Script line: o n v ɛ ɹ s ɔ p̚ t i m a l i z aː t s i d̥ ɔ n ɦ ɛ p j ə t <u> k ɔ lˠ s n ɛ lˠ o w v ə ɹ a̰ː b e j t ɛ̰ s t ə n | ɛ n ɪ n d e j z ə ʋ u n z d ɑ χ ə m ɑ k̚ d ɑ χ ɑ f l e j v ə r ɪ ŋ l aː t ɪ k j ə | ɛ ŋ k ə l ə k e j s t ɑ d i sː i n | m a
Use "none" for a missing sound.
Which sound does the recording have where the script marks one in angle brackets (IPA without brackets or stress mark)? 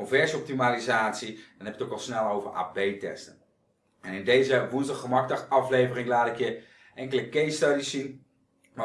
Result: o